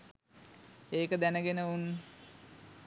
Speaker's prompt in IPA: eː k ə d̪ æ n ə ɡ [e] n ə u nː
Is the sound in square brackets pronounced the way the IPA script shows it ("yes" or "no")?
yes